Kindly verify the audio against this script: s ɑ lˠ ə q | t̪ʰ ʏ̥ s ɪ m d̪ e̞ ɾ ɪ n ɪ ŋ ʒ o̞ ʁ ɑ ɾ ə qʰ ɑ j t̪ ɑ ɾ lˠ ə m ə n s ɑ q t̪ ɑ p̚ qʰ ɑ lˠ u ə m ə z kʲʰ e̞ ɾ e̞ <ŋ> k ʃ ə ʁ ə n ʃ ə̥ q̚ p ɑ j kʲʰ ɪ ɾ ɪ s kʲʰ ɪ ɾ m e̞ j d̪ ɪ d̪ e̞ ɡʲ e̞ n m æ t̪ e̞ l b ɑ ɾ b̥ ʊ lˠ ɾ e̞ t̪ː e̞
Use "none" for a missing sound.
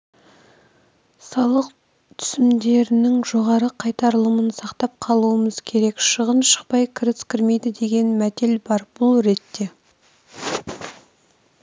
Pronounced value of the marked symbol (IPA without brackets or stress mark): none